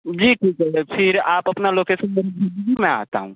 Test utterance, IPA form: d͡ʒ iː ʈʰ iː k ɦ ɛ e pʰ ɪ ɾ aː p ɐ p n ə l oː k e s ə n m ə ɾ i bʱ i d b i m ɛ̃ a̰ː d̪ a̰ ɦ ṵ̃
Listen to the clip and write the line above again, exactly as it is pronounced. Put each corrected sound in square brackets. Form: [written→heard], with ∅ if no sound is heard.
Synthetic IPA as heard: d͡ʒ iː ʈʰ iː k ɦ ɛ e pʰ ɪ ɾ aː p ɐ p n [ə→a] l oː k e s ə n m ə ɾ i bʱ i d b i m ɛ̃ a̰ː [d̪→t̪] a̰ ɦ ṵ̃